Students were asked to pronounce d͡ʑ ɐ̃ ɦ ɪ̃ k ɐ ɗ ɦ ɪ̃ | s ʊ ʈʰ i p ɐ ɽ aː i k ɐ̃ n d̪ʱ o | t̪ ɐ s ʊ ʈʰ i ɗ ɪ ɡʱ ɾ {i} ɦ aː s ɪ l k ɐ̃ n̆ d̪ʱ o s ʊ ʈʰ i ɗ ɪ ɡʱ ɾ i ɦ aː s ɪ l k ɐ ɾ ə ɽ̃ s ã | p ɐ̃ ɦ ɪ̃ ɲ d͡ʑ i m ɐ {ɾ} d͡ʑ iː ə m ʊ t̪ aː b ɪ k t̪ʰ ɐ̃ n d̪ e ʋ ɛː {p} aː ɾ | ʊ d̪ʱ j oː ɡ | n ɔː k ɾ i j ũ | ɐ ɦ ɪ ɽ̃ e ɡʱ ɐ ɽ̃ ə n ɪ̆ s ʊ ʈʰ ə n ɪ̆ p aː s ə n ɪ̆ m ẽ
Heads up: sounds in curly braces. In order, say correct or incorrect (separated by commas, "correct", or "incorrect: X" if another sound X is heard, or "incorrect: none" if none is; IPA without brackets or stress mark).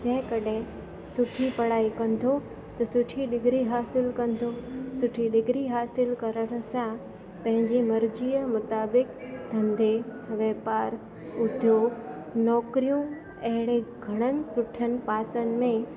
correct, correct, correct